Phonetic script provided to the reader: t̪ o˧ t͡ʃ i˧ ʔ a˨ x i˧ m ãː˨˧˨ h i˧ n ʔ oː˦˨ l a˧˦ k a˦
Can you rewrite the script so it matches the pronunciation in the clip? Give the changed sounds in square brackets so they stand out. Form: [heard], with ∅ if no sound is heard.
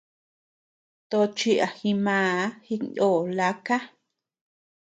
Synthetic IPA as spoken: t̪ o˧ t͡ʃ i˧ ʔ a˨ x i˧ m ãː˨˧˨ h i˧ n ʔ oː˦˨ l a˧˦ k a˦